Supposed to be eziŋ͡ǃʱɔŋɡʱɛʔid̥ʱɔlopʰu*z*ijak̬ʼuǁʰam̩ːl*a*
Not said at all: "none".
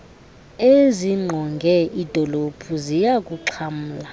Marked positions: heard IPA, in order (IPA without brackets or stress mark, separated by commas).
z, a